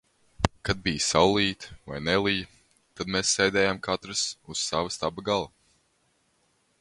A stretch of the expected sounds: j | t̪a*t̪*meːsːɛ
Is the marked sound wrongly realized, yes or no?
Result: yes